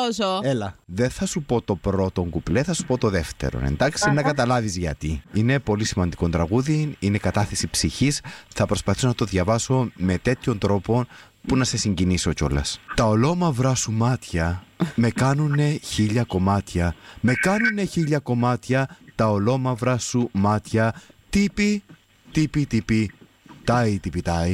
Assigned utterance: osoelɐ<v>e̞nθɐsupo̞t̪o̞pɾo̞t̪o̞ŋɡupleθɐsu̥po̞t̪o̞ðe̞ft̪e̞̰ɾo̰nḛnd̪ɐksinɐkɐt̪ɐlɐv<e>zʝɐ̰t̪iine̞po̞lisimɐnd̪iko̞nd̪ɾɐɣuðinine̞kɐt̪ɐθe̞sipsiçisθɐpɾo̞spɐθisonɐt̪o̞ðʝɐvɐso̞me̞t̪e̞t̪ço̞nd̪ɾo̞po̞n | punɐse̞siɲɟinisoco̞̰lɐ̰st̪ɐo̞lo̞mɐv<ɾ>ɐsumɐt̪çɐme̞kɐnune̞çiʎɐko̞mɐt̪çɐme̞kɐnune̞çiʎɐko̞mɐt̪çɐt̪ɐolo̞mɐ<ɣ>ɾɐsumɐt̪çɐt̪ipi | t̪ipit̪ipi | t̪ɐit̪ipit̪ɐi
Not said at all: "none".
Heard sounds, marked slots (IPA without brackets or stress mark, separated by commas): ð, i, ɾ, v